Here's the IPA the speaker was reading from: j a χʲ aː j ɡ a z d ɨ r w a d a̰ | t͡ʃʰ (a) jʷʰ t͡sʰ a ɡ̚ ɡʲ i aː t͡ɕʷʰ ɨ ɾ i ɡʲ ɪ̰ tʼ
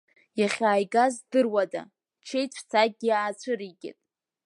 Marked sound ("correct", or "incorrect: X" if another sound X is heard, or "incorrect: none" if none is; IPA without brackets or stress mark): incorrect: e